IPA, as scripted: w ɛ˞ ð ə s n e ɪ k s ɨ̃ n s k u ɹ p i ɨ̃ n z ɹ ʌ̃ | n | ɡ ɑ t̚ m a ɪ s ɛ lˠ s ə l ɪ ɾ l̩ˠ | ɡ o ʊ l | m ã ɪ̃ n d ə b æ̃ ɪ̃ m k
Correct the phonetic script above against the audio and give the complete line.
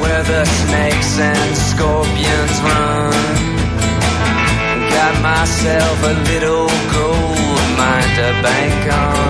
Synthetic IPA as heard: w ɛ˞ ð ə s n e ɪ k s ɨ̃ n s k ɔ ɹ p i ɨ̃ n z ɹ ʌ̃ | n | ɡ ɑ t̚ m a ɪ s ɛ lˠ f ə l ɪ ɾ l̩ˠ | ɡ o ʊ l | m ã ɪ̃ n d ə b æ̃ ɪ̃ ŋ k